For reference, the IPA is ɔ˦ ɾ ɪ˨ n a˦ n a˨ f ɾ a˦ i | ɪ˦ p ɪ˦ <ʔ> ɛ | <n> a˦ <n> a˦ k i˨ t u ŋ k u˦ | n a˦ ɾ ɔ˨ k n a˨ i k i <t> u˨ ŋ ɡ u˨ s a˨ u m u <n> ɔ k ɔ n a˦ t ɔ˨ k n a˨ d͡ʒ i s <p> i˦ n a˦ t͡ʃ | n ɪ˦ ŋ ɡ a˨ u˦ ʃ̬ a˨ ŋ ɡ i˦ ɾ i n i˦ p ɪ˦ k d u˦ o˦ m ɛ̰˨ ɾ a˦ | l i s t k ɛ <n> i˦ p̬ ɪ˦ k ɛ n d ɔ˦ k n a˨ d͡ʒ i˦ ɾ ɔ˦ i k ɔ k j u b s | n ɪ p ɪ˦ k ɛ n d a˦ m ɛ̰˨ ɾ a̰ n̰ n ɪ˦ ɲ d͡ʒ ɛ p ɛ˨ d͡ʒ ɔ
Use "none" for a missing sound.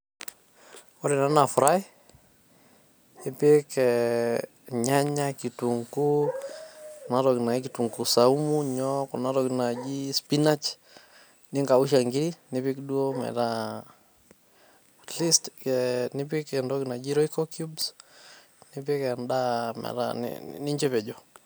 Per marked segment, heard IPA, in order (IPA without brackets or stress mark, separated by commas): k, ɲ, ɲ, t, ɲ, p, n